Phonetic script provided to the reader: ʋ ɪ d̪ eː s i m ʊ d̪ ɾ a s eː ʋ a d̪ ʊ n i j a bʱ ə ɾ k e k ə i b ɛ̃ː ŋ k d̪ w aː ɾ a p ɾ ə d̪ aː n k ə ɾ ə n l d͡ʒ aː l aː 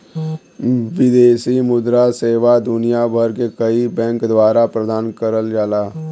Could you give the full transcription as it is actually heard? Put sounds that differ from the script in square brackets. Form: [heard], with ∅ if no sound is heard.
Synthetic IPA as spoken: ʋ ɪ d̪ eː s i m ʊ d̪ ɾ a s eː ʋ a d̪ ʊ n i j a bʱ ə ɾ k e k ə i b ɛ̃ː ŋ k d̪ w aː ɾ a p ɾ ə d̪ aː n k ə ɾ ə [∅] l d͡ʒ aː l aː

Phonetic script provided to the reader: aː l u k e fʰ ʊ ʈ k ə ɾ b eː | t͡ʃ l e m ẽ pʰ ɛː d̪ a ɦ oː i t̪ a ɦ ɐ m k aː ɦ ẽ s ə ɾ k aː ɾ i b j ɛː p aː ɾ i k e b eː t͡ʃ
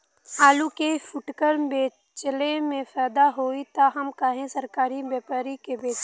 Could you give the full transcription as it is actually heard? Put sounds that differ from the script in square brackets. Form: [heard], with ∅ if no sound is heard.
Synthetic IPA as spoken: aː l u k e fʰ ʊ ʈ k ə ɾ b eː | t͡ʃ l e m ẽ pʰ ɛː d̪ a ɦ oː i t̪ a ɦ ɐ m k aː ɦ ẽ s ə ɾ k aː ɾ i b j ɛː p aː ɾ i k e b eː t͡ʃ

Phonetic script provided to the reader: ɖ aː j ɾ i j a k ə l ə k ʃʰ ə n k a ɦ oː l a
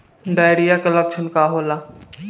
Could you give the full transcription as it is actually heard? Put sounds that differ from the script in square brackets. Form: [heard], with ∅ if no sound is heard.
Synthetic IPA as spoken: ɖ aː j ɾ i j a k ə l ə k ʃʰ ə n k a ɦ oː l a

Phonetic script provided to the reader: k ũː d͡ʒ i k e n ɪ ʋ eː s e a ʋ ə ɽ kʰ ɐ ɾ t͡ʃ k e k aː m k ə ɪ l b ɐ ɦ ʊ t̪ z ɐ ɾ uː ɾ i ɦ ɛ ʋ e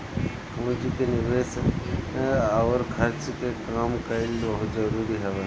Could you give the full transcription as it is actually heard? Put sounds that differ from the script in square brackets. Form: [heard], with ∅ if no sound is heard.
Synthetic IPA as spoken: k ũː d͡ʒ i k e n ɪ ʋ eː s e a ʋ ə [ɾ] kʰ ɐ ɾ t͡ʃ k e k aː m k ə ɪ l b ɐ ɦ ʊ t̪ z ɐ ɾ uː ɾ i ɦ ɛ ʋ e

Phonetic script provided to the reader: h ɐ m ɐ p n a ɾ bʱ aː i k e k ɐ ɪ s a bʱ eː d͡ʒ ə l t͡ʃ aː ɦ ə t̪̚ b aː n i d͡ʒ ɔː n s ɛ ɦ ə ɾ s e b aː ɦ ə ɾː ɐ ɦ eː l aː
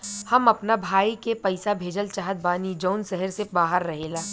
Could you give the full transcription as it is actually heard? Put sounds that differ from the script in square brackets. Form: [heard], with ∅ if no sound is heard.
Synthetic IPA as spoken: h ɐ m ɐ p n a [∅] bʱ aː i k e [p] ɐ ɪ s a bʱ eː d͡ʒ ə l t͡ʃ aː ɦ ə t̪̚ b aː n i d͡ʒ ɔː n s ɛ ɦ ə ɾ s e b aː ɦ ə ɾː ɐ ɦ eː l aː

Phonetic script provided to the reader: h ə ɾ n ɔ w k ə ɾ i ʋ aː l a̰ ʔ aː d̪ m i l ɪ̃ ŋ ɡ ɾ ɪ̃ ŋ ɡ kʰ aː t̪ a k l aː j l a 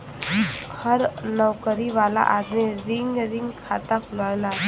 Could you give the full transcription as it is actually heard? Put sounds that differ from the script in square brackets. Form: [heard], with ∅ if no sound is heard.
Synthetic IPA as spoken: h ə ɾ n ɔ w k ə ɾ i ʋ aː l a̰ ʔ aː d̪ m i [ɾ] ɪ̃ ŋ ɡ ɾ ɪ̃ ŋ ɡ kʰ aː t̪ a k l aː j l a

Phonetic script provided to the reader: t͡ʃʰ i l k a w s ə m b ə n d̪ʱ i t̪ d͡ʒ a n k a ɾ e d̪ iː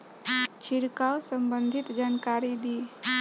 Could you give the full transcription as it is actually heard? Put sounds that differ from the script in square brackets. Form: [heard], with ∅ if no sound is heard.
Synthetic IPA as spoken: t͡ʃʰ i [ɾ] k a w s ə m b ə n d̪ʱ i t̪ d͡ʒ a n k a ɾ [i] d̪ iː

